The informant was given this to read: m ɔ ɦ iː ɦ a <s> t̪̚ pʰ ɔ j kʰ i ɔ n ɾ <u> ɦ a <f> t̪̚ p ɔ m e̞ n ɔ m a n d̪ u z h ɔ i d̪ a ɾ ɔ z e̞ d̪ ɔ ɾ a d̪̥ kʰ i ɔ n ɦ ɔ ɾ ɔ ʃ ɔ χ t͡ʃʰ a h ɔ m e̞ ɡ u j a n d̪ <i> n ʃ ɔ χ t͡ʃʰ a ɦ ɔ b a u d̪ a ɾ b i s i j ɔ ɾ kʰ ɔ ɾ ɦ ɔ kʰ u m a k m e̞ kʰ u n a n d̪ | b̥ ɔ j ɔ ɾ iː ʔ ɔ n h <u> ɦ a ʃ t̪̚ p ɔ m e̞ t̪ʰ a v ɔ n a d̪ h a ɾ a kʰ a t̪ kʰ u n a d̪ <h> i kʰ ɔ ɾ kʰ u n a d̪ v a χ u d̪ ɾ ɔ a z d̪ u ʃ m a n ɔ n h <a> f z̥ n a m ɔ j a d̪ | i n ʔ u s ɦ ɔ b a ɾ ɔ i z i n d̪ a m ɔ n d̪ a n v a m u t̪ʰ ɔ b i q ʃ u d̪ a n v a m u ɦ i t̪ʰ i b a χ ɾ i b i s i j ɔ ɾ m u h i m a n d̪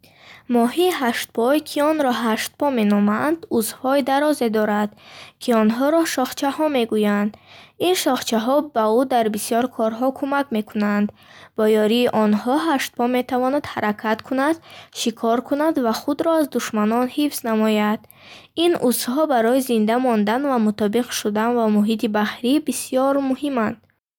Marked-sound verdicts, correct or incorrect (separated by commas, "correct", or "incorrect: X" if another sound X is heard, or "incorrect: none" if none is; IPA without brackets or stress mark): incorrect: ʃ, incorrect: ɔ, incorrect: ʃ, correct, incorrect: ɔ, incorrect: ʃ, incorrect: i